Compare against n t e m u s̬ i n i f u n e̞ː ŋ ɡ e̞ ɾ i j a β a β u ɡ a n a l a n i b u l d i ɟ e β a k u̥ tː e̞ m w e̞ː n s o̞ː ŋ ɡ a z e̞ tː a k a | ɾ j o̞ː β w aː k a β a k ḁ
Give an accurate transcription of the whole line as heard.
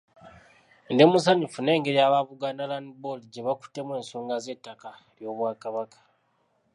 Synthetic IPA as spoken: n d e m u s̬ a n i f u n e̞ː ŋ ɡ e̞ ɾ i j a β a β u ɡ a n a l a n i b o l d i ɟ e β a k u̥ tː e̞ m w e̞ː n s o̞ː ŋ ɡ a z e̞ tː a k a | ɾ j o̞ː β w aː k a β a k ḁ